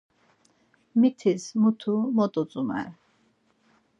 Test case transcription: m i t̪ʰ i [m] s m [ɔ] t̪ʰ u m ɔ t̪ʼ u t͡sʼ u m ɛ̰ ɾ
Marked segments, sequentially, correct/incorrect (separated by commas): incorrect, incorrect